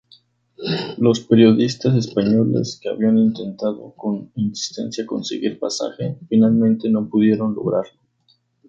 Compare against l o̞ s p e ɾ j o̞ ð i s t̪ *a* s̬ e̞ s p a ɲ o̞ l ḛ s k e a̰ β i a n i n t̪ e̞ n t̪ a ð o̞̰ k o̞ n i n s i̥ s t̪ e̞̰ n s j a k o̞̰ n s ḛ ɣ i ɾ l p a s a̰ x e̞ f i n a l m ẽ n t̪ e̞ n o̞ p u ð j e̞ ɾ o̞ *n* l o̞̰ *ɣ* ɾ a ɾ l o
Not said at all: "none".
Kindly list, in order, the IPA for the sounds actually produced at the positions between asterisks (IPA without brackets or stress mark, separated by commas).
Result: a, n, ɣ